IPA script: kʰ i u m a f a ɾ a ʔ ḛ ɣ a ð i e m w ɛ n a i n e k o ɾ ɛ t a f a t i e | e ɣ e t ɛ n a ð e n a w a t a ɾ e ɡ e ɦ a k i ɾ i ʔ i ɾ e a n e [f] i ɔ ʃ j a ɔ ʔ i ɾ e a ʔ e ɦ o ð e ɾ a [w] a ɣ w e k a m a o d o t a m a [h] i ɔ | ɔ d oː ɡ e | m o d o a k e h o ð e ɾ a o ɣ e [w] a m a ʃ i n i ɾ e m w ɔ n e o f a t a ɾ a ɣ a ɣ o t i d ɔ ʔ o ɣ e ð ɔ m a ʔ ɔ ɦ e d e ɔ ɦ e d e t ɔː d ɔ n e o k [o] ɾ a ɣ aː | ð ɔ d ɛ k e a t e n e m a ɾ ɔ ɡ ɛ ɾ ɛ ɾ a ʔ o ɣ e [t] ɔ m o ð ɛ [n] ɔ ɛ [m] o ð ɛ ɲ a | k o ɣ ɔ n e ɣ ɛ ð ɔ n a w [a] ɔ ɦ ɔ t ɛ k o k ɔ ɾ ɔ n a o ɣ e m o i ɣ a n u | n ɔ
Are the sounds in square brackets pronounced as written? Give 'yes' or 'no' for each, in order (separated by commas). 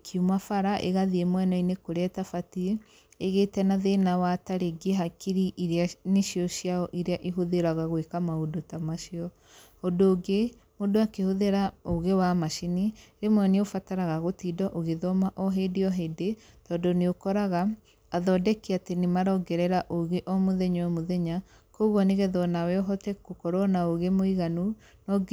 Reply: no, no, no, yes, no, no, no, yes, no